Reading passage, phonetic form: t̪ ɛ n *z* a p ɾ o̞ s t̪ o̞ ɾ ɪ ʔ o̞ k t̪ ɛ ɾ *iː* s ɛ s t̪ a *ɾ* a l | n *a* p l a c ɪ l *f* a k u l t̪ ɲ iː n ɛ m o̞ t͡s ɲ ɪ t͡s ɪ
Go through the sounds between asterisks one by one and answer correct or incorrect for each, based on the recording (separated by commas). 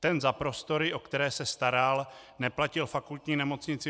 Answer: correct, incorrect, correct, incorrect, correct